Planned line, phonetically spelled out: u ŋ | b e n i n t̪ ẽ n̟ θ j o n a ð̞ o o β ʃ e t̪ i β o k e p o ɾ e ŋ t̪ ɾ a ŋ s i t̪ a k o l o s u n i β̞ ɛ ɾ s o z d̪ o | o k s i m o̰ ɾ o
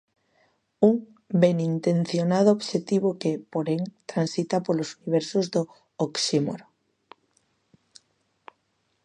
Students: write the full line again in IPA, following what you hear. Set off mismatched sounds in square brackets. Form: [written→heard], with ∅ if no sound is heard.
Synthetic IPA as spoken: u ŋ | b e n i n t̪ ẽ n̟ θ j o n a ð̞ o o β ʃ e t̪ i β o k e p o ɾ e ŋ t̪ ɾ a [ŋ→n] s i t̪ a [k→p] o l o s u n i β̞ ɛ ɾ s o z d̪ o | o k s i m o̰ ɾ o